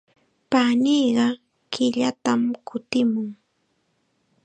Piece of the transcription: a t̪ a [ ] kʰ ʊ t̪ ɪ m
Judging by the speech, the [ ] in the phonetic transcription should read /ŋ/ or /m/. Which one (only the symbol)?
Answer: m